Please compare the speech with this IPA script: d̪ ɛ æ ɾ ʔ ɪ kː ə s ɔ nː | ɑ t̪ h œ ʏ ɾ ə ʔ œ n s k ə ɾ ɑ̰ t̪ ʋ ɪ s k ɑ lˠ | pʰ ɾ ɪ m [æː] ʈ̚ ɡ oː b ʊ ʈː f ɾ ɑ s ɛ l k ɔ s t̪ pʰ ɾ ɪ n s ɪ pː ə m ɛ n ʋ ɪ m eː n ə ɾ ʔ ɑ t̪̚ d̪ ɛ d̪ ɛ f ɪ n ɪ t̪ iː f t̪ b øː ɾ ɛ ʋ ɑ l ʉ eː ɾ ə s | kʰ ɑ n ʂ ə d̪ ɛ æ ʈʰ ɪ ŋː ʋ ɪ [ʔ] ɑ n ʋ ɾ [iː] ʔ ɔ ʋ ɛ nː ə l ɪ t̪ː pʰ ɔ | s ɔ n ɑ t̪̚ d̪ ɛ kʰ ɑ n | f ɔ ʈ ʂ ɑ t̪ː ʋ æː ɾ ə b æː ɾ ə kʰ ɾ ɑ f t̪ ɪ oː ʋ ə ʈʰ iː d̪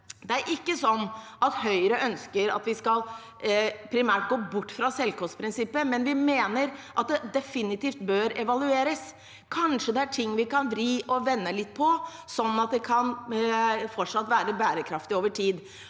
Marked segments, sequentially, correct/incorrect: correct, incorrect: k, correct

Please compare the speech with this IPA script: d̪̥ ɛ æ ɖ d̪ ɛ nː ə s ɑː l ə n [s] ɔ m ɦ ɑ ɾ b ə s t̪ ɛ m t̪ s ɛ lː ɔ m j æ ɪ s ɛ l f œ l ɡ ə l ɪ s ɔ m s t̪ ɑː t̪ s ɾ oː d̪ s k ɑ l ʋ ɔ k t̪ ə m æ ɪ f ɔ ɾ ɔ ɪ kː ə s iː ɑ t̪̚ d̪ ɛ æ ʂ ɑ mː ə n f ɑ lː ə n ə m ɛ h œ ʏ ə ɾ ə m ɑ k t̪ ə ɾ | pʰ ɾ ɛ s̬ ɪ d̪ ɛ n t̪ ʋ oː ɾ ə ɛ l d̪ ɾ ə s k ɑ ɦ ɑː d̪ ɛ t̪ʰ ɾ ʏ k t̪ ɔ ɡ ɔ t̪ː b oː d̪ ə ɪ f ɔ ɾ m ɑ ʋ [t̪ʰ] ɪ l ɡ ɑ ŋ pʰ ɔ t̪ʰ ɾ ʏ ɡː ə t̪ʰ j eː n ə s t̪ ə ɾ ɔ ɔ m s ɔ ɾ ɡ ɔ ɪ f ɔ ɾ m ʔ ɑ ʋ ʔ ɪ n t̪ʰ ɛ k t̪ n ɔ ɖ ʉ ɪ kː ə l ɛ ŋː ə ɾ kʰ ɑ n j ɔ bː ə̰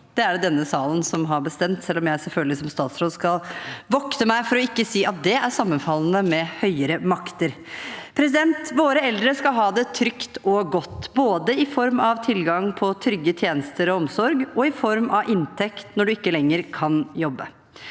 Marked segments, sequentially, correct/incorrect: correct, correct

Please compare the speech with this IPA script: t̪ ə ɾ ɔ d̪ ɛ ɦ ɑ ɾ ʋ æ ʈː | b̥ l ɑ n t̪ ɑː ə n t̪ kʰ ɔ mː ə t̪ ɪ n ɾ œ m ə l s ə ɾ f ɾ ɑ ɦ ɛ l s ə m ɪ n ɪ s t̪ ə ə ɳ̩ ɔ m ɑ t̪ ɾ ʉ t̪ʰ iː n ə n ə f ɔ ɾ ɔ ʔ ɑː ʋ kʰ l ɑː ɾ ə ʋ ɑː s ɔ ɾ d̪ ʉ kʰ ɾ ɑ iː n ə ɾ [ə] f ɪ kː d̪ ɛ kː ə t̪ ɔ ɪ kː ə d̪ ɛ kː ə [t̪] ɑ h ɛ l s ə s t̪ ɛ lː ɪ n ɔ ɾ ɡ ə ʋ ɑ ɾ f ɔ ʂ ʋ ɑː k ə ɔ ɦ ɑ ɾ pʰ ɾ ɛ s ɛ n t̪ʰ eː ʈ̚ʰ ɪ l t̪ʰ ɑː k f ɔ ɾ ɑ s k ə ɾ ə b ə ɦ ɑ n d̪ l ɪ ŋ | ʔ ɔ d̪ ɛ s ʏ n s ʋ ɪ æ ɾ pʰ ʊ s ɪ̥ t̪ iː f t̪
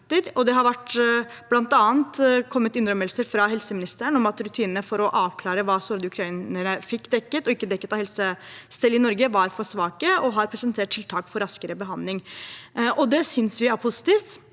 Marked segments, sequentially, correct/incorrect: correct, correct

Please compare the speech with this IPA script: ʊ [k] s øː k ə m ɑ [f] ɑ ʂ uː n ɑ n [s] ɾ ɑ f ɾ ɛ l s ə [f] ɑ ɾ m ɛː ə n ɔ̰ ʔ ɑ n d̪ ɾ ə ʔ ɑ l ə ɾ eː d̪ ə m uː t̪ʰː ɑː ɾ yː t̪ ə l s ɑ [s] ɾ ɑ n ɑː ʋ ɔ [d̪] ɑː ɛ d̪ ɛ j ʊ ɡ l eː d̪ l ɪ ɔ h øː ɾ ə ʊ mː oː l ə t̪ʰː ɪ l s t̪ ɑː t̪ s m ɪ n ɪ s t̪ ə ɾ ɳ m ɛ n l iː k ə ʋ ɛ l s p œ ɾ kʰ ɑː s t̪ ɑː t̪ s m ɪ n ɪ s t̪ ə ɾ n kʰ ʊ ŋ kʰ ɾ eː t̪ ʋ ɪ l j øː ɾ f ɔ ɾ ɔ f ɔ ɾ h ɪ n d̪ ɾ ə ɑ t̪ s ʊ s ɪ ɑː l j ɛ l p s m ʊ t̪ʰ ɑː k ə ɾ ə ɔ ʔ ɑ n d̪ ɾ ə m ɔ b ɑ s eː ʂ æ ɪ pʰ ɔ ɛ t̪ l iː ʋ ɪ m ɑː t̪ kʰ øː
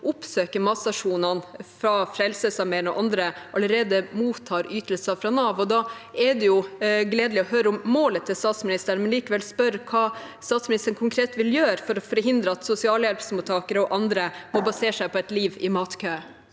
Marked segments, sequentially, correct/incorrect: incorrect: p, incorrect: s, incorrect: f, incorrect: s, incorrect: f, correct

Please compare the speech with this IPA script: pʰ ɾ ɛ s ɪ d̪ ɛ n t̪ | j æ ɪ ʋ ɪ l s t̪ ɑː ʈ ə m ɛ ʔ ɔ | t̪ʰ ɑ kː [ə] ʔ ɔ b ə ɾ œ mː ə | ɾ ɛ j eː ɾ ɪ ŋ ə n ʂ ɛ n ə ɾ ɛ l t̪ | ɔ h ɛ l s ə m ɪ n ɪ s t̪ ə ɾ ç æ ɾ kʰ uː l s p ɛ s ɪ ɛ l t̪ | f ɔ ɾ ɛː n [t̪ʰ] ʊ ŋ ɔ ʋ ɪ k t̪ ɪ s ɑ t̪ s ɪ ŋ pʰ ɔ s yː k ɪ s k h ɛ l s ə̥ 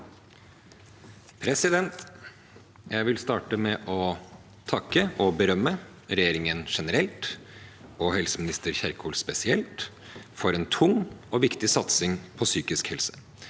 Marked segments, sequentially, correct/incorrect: correct, correct

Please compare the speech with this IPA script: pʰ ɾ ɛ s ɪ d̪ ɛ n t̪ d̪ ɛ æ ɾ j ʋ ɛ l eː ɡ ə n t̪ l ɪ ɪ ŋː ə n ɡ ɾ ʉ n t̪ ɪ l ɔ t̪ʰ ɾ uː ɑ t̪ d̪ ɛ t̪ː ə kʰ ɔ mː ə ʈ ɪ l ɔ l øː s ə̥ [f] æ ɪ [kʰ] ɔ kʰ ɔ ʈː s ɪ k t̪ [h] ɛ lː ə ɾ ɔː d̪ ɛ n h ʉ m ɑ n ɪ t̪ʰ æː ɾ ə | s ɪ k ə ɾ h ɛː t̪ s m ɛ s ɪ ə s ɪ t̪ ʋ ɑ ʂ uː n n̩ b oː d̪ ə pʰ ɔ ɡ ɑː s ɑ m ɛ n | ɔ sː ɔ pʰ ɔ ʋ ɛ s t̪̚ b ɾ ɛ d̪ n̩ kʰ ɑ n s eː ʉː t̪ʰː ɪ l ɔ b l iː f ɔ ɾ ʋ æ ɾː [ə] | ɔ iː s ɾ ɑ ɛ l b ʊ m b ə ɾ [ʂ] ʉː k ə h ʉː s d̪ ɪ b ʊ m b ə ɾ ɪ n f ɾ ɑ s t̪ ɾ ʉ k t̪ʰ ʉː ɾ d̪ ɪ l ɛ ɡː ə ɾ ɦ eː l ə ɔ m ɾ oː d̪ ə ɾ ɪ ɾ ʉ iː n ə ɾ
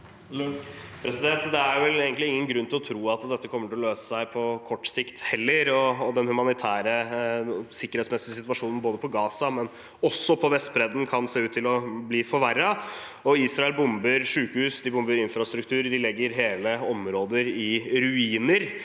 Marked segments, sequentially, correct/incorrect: incorrect: s, incorrect: pʰ, correct, incorrect: ɑ, correct

